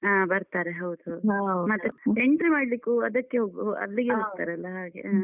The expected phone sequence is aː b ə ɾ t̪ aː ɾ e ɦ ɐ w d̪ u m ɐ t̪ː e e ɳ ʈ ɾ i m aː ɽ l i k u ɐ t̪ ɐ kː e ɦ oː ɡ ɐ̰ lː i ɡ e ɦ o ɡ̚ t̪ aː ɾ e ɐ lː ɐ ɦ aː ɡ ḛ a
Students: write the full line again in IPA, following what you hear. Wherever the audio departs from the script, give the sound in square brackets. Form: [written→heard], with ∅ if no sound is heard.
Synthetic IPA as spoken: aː b [ə→ɐ] ɾ t̪ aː ɾ e ɦ ɐ w d̪ u m ɐ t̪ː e e ɳ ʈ ɾ i m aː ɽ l i k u ɐ [t̪→d̪] ɐ kː e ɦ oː ɡ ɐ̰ lː i ɡ e ɦ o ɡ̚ t̪ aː ɾ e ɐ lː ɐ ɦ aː ɡ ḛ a